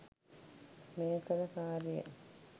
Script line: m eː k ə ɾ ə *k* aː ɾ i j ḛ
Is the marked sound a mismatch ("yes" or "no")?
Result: no